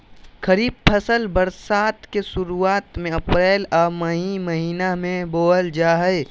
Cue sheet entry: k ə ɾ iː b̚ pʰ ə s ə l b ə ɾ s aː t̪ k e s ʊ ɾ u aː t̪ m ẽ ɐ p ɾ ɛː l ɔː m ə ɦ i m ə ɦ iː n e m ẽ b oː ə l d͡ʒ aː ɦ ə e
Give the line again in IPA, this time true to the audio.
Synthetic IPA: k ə ɾ iː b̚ pʰ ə s ə l b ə ɾ s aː t̪ k e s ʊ ɾ u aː t̪ m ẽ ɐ p ɾ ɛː l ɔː m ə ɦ i m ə ɦ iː n a m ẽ b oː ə l d͡ʒ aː ɦ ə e